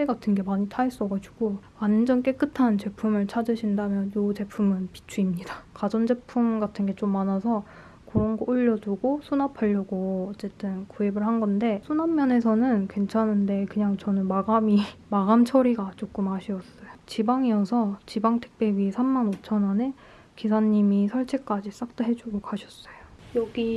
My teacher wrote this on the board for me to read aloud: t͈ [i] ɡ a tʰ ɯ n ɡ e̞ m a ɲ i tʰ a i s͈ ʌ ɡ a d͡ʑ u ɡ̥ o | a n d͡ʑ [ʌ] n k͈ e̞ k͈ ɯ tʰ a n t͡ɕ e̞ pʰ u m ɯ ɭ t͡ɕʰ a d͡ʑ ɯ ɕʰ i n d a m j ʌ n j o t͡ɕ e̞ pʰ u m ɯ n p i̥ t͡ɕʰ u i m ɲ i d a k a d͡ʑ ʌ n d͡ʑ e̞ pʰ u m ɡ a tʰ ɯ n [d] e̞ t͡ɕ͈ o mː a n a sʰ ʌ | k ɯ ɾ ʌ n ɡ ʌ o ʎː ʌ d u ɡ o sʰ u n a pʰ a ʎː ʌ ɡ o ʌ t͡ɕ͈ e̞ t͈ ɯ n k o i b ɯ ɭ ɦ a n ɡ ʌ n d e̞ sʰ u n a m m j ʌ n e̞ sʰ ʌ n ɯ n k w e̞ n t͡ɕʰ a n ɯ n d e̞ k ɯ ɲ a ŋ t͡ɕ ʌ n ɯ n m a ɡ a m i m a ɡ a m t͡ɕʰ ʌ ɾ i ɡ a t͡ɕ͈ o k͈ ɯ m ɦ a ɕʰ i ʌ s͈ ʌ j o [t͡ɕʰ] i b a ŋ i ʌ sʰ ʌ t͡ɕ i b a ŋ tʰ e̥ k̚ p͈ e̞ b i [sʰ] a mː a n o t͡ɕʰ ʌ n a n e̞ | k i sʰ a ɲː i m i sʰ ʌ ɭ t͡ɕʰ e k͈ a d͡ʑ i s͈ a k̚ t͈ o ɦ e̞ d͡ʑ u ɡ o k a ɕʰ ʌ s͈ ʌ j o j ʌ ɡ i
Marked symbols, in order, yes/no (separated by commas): no, yes, no, no, yes